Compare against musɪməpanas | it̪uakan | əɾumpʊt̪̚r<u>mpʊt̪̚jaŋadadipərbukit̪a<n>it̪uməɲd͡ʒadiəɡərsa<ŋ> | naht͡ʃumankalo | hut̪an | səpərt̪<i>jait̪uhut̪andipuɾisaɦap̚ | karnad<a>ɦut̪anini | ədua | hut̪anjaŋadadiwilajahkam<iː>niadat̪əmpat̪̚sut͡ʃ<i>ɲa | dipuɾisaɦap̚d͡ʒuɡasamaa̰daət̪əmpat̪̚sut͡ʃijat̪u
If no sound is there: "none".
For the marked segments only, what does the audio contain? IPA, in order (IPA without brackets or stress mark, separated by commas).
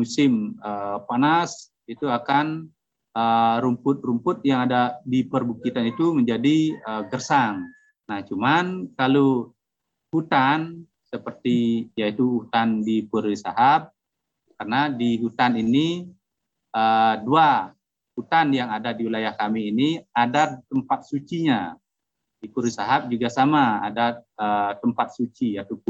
u, n, ŋ, i, i, iː, i